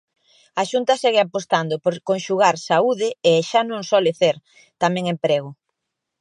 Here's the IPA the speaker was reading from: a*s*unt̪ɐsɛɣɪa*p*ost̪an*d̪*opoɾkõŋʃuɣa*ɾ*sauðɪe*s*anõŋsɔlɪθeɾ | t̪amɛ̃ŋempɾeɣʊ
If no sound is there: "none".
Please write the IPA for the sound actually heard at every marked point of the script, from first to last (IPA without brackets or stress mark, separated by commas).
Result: ʃ, p, d̪, ɾ, ʃ